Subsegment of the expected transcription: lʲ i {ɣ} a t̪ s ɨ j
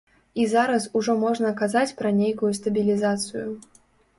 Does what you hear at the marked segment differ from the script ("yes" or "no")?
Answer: yes